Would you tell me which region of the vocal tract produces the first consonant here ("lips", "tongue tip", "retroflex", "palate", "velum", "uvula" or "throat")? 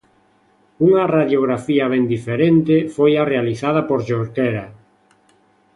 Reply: velum